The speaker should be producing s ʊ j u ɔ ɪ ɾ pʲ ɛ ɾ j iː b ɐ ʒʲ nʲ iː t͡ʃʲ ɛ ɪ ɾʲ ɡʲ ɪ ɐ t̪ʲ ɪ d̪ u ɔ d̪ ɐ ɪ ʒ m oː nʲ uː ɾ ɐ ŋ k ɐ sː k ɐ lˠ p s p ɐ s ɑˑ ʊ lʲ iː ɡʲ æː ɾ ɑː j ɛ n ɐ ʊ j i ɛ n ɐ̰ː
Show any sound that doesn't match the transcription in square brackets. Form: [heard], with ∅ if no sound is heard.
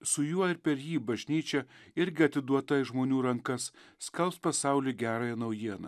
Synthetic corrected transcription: s ʊ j u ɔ ɪ ɾ pʲ ɛ ɾ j iː b ɐ ʒʲ nʲ iː t͡ʃʲ ɛ ɪ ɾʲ ɡʲ ɪ ɐ t̪ʲ ɪ d̪ u ɔ [t̪] ɐ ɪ ʒ m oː nʲ uː ɾ ɐ ŋ k ɐ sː k ɐ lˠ p s p ɐ s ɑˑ ʊ lʲ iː ɡʲ æː ɾ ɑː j ɛ n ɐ ʊ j i ɛ n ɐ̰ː